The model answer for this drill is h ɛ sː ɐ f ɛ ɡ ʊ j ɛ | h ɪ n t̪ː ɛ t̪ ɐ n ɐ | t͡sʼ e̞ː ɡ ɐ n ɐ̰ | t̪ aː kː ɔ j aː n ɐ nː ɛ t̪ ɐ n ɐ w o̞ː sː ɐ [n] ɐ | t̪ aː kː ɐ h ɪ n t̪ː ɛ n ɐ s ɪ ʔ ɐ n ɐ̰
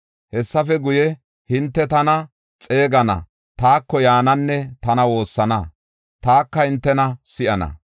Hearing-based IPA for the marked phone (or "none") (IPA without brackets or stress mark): n